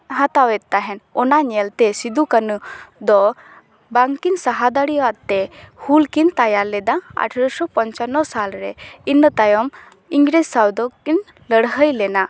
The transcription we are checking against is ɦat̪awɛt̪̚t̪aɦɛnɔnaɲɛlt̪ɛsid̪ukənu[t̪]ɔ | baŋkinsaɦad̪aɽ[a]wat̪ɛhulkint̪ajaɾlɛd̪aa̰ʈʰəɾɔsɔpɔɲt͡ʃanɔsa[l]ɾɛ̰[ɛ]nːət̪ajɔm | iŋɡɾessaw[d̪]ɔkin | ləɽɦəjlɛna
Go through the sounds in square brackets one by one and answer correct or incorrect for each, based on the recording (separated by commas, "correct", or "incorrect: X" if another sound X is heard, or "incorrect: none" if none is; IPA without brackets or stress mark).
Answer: incorrect: d̪, incorrect: i, correct, incorrect: i, correct